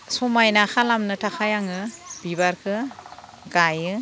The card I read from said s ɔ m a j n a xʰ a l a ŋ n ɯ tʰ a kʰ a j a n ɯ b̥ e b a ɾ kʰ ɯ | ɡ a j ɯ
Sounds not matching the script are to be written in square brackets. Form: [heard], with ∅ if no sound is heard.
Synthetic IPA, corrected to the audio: s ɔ m a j n a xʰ a l a [m] n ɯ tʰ a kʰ a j a [ŋ] ɯ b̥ [i] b a ɾ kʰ ɯ | ɡ a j ɯ